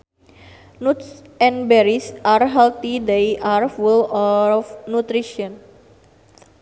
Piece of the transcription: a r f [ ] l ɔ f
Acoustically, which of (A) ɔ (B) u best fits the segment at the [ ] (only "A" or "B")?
B